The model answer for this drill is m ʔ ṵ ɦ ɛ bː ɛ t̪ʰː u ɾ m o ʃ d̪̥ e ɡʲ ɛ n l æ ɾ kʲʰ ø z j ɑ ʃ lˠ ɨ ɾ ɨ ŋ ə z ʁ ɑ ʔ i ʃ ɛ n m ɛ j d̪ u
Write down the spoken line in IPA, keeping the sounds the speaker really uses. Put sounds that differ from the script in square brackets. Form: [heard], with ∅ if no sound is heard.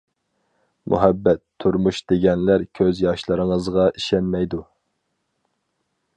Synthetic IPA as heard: m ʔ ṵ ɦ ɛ bː ɛ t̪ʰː u ɾ m [u] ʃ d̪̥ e ɡʲ ɛ n l æ ɾ kʲʰ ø z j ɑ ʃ lˠ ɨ ɾ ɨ ŋ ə z ʁ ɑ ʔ i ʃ ɛ n m ɛ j d̪ u